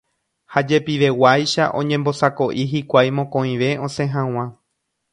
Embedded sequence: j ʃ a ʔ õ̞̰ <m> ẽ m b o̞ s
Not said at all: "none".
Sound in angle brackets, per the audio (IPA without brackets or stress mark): ɲ